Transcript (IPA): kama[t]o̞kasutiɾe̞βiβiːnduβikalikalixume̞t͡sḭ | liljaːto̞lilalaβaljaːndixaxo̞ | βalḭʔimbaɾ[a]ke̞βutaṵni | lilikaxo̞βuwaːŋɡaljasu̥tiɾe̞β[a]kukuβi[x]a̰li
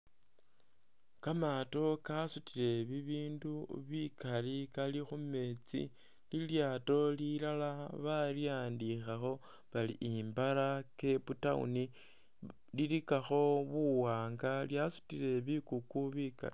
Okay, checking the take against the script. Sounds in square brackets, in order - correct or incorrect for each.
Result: correct, correct, incorrect, incorrect

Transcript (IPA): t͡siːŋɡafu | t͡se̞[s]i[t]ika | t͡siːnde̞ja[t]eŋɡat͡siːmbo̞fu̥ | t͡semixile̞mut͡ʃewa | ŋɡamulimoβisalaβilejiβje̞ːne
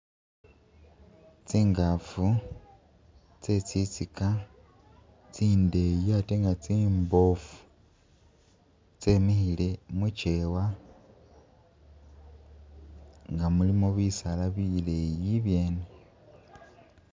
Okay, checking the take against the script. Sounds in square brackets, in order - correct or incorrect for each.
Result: incorrect, incorrect, correct

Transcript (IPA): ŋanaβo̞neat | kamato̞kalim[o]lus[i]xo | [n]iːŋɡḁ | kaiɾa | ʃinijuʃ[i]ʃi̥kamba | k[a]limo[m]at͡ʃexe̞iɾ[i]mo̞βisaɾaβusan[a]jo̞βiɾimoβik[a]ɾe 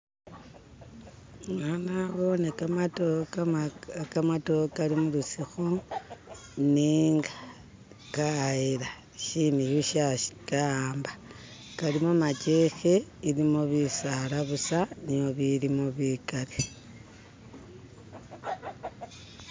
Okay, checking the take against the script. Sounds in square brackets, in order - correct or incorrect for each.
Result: incorrect, correct, correct, incorrect, correct, correct, correct, incorrect, correct

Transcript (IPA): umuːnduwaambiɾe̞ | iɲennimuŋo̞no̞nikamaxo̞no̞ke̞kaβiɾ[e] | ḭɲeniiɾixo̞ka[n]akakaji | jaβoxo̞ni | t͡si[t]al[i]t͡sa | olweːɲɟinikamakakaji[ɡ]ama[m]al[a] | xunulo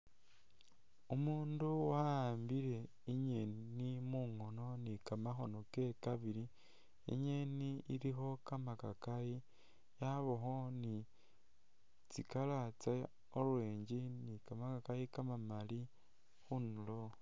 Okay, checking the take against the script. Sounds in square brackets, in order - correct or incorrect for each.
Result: incorrect, incorrect, incorrect, incorrect, incorrect, correct, incorrect

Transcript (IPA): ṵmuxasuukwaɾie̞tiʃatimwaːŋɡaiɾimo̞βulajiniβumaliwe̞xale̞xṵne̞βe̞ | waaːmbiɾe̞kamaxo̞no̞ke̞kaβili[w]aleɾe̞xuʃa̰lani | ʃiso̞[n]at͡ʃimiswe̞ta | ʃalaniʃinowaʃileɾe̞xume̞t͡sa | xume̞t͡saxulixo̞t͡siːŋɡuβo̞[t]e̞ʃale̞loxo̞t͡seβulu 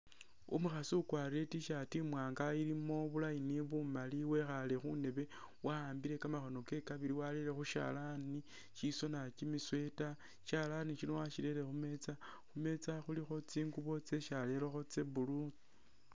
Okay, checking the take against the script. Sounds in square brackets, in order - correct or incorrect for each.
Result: correct, correct, incorrect

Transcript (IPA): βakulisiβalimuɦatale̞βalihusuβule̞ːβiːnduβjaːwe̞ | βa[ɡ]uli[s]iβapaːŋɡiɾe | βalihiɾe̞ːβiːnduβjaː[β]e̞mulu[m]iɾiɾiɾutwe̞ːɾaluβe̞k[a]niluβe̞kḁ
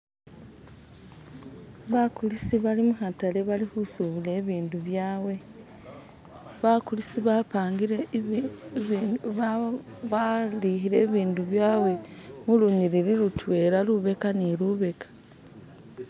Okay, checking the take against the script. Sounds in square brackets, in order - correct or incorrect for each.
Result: incorrect, correct, incorrect, incorrect, correct

